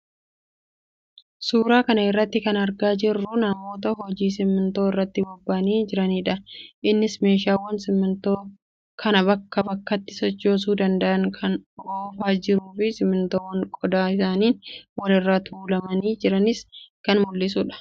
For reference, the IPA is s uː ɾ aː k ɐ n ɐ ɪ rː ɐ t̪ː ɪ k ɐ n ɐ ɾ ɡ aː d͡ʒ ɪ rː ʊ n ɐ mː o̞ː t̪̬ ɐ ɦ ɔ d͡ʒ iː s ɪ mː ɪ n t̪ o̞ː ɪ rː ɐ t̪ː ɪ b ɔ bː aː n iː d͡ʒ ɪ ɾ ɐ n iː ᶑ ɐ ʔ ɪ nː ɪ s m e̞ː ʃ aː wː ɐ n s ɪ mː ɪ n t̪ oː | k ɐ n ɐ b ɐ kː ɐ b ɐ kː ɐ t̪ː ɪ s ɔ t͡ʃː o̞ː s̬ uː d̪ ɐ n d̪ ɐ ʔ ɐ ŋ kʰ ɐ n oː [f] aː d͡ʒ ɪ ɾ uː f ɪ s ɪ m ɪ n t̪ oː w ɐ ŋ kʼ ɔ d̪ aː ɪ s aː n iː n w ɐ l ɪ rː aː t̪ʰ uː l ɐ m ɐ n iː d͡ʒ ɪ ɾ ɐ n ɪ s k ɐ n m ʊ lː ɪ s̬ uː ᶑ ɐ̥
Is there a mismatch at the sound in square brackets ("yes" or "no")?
no